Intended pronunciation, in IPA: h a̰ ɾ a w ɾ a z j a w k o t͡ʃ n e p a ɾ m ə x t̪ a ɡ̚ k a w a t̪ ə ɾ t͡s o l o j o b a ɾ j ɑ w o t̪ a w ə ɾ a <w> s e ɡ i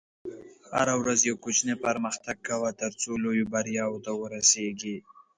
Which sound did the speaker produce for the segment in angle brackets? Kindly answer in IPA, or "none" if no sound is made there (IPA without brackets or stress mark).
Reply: none